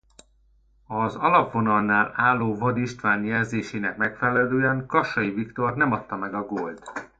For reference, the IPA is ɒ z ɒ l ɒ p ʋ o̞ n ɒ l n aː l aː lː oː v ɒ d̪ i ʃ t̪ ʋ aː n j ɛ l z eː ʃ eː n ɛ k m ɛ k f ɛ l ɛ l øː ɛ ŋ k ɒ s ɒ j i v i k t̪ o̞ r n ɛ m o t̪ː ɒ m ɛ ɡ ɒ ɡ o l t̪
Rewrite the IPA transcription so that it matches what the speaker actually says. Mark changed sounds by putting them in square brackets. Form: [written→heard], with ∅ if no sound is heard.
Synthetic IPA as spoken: ɒ z ɒ l ɒ p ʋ o̞ n ɒ l n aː l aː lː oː v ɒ d̪ i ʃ t̪ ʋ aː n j ɛ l z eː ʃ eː n ɛ k m ɛ k f ɛ l ɛ l øː ɛ ŋ k ɒ [s→ʃ] ɒ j i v i k t̪ o̞ r n ɛ m [o→ɒ] t̪ː ɒ m ɛ ɡ ɒ ɡ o l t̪